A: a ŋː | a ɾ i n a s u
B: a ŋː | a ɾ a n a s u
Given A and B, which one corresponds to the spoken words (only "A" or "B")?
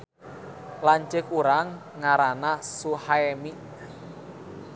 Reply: B